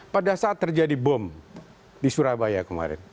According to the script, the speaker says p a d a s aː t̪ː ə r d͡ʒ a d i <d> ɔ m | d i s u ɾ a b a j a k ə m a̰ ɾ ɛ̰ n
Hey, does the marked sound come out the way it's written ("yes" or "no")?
no